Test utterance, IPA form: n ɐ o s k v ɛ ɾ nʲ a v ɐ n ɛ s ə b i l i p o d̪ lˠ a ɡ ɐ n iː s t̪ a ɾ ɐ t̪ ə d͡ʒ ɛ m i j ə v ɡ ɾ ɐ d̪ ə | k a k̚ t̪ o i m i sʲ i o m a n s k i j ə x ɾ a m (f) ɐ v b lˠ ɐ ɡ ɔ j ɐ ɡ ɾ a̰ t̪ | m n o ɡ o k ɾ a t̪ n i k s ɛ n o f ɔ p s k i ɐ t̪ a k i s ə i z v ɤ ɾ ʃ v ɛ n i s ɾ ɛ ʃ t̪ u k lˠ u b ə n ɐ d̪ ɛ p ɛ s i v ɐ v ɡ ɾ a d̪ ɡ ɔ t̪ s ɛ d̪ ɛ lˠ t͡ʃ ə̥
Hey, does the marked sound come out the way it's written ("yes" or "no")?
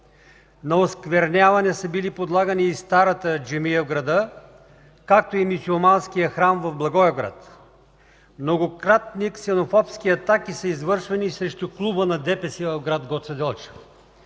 no